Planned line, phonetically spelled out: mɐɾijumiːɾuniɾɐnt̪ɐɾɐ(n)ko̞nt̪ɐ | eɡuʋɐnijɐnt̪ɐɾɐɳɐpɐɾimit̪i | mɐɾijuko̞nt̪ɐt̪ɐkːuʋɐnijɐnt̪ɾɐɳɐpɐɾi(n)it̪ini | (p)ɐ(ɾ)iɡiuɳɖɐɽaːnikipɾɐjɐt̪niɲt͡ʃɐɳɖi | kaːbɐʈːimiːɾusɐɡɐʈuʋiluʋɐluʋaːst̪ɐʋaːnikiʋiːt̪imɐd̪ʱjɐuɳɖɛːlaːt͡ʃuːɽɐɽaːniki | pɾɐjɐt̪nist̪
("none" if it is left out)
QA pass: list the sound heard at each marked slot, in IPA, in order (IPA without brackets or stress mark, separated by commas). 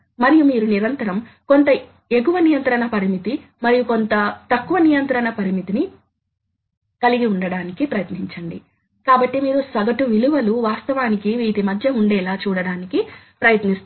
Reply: m, m, k, l